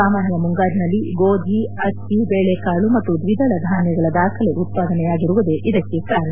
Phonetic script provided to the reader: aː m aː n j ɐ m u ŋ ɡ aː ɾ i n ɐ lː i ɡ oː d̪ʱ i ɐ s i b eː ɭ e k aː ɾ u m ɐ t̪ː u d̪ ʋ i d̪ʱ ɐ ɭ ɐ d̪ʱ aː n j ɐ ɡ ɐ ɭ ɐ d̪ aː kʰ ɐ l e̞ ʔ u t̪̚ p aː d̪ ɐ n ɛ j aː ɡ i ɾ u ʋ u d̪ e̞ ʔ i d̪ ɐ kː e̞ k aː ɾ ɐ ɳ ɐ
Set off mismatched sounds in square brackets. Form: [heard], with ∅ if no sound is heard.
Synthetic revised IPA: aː m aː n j ɐ m u ŋ ɡ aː ɾ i n ɐ lː i ɡ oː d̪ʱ i ɐ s i b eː ɭ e k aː [ɭ] u m ɐ t̪ː u d̪ ʋ i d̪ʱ ɐ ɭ ɐ d̪ʱ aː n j ɐ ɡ ɐ ɭ ɐ d̪ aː kʰ ɐ l e̞ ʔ u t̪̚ p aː d̪ ɐ n ɛ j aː ɡ i ɾ u ʋ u d̪ e̞ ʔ i d̪ ɐ kː e̞ k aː ɾ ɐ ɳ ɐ